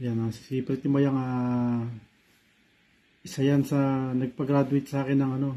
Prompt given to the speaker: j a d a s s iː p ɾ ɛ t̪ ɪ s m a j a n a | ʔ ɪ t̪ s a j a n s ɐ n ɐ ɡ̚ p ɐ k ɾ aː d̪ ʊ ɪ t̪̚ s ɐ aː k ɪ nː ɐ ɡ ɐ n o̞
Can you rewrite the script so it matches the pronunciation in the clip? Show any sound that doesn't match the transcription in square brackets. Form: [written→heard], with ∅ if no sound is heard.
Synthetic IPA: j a [d→n] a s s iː p ɾ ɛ t̪ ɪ [s→∅] m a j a [n→ŋ] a | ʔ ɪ [t̪→∅] s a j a n s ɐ n ɐ ɡ̚ p ɐ [k→ɡ] ɾ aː d̪ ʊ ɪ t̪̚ s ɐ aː k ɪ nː ɐ [ɡ→ŋ] ɐ n o̞